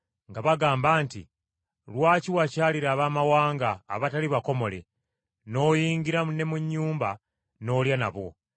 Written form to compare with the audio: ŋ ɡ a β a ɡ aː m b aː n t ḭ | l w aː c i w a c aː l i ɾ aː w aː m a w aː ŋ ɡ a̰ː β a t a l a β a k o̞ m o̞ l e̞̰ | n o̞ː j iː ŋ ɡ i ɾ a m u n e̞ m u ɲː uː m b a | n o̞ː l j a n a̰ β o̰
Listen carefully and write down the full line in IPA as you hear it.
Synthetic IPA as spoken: ŋ ɡ a β a ɡ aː m b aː n t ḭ | l w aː c i w a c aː l i ɾ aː β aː m a w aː ŋ ɡ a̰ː β a t a l i β a k o̞ m o̞ l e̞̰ | n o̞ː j iː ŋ ɡ i ɾ a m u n e̞ m u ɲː uː m b a | n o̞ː l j a n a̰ β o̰